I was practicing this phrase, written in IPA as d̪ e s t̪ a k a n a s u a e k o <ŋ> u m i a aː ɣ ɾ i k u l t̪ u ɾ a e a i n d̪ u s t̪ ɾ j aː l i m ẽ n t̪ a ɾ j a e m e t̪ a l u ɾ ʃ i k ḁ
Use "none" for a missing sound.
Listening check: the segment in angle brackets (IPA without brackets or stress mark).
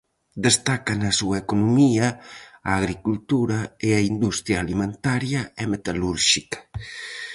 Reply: n